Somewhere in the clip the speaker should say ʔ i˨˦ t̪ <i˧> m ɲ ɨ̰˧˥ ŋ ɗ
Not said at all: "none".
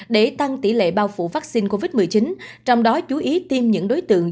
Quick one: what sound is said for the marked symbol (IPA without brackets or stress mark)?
i˧